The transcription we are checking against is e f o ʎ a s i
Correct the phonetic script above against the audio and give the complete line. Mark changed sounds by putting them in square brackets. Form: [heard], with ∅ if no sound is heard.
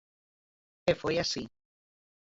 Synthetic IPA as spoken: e f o [j] a s i

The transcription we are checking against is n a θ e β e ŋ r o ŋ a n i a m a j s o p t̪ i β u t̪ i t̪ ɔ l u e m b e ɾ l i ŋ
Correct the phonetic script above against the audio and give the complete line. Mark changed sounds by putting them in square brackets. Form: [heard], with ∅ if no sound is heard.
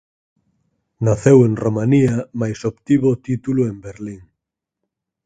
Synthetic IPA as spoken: n a θ e [w] e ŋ r o [m] a n i a m a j s o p t̪ i β [o] t̪ i t̪ [u] l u e m b e ɾ l i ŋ

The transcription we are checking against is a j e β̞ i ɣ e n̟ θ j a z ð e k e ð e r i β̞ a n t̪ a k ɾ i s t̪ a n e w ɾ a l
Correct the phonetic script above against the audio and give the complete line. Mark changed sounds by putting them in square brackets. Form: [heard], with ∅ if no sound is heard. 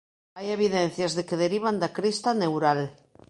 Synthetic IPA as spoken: a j e β̞ i [ð] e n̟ θ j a z ð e k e ð e [ɾ] i β̞ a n [d̪] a k ɾ i s t̪ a n e w ɾ a l

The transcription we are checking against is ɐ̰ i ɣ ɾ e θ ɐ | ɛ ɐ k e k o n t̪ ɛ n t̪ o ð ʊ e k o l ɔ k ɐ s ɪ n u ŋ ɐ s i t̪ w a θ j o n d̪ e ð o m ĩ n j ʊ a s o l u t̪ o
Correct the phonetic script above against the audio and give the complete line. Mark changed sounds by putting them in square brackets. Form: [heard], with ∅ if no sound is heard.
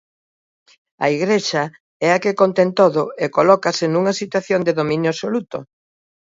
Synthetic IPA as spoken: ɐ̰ i ɣ ɾ e [ʃ] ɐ | ɛ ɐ k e k o n t̪ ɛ n t̪ o ð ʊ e k o l ɔ k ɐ s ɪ n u ŋ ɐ s i t̪ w a θ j o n d̪ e ð o m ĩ n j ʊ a s o l u t̪ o

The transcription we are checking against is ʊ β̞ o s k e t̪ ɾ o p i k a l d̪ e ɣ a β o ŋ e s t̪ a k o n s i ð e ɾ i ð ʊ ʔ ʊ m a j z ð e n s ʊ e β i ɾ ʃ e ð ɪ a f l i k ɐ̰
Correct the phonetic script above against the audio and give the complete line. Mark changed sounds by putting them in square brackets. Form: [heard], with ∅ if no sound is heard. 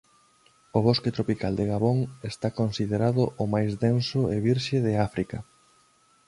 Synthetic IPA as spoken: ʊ β̞ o s k e t̪ ɾ o p i k a l d̪ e ɣ a β o ŋ e s t̪ a k o n s i ð e ɾ [a] ð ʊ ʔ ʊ m a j z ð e n s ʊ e β i ɾ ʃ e ð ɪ a f [ɾ] i k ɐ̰

